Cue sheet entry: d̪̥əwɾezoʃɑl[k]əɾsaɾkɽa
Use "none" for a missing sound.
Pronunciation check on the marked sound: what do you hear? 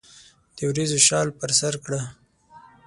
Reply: p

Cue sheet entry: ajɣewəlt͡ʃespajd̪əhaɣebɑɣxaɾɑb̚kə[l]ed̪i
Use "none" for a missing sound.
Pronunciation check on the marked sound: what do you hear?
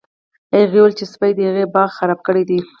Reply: ɽ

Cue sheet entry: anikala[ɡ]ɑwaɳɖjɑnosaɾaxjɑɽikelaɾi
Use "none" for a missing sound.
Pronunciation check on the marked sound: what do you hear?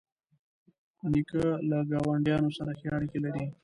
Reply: ɡ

